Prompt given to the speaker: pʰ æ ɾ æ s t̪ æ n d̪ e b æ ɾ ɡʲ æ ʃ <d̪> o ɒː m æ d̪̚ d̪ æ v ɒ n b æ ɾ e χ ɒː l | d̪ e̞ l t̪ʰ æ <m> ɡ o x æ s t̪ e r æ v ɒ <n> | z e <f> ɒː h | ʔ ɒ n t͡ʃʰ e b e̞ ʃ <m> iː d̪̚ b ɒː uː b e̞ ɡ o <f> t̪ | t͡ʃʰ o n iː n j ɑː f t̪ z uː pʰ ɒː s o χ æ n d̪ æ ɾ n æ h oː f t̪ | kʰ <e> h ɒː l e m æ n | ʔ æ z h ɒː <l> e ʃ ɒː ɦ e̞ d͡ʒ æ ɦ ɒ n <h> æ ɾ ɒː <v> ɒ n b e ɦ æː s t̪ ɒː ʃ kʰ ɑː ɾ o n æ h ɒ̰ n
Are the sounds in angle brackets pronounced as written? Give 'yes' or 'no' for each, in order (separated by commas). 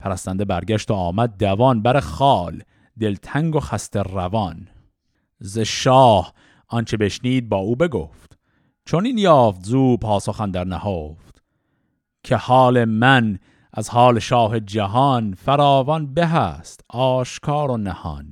no, no, yes, no, no, yes, yes, yes, no, yes